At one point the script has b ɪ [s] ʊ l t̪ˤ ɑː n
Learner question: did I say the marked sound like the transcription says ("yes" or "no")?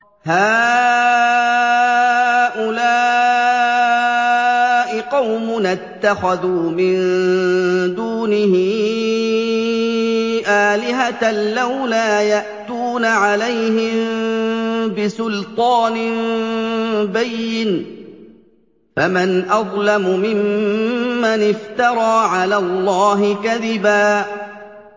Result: yes